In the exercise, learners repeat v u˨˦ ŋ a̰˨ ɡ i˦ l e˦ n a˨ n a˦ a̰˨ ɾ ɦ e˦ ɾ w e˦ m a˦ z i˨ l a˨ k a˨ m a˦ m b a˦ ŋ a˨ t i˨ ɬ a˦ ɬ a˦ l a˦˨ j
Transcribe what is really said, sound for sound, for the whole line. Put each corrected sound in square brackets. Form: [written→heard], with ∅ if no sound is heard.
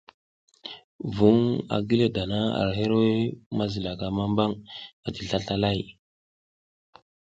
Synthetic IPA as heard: v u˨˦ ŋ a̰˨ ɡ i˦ l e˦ [n→d] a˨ n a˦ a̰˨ ɾ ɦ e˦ ɾ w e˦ m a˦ z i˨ l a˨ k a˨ m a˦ m b a˦ ŋ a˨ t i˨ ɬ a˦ ɬ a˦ l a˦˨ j